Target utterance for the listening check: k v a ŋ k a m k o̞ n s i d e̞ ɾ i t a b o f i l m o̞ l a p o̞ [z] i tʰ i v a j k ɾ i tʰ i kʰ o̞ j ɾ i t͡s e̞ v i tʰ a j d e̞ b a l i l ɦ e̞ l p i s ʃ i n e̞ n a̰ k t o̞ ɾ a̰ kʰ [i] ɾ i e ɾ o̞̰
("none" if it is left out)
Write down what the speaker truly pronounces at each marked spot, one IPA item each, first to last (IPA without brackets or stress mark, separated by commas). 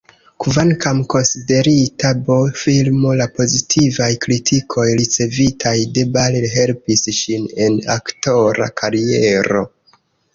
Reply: z, a